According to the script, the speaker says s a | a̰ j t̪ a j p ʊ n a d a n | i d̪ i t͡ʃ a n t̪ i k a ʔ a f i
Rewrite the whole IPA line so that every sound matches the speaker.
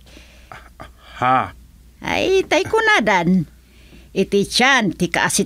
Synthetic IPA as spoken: h a | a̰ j t̪ a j k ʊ n a d a n | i t̪ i t͡ʃ a n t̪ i k a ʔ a s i